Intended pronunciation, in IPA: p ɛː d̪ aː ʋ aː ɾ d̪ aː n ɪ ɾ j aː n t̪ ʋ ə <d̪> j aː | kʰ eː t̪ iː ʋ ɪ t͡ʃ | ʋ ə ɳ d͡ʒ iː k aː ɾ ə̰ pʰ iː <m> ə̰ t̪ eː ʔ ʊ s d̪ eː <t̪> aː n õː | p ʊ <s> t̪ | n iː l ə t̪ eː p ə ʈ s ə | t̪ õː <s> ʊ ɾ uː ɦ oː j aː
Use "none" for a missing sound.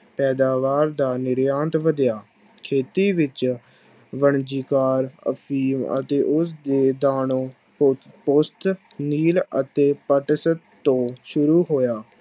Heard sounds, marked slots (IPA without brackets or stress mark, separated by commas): d̪, m, d̪, s, ʃ